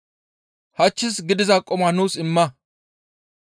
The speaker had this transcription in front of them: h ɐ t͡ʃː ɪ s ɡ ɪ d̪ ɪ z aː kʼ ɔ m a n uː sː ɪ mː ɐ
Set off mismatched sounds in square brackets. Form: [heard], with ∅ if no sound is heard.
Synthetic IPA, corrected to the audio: h ɐ t͡ʃː ɪ s ɡ ɪ d̪ ɪ z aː kʼ ɔ m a n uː [s] ɪ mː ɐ